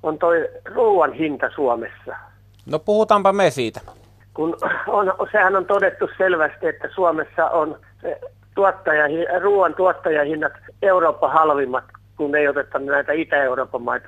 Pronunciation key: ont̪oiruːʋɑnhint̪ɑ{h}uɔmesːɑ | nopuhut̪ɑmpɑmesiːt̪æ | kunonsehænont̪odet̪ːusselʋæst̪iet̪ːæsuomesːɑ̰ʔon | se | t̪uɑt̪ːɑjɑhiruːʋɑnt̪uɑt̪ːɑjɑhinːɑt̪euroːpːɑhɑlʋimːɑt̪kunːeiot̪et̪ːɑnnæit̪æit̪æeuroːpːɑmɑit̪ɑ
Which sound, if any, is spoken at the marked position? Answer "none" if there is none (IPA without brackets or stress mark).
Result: s